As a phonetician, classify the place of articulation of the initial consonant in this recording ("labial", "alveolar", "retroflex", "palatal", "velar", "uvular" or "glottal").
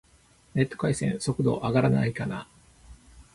alveolar